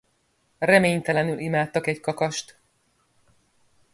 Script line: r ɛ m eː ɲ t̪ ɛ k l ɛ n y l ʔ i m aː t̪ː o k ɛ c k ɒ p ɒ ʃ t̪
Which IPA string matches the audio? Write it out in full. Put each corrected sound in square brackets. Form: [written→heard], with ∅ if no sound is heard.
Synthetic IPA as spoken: r ɛ m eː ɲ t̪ ɛ [k→∅] l ɛ n y l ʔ i m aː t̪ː [o→ɒ] k ɛ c k ɒ [p→k] ɒ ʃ t̪